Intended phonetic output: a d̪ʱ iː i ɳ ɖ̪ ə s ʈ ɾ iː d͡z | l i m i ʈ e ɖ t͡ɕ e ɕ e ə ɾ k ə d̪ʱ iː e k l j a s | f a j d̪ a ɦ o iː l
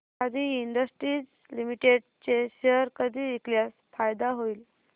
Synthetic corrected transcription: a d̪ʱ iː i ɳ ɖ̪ ə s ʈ ɾ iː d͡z | l i m i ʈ e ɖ t͡ɕ e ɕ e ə ɾ k ə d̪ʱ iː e k l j a s | f a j d̪ a ɦ o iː l